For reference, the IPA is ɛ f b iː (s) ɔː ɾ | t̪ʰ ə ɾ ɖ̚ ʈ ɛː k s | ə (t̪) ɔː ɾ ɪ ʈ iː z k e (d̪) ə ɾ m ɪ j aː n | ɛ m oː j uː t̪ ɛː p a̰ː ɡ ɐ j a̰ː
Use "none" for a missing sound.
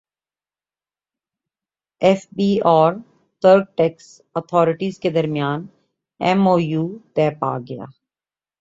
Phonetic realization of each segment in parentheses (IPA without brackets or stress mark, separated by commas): none, t̪ʰ, d̪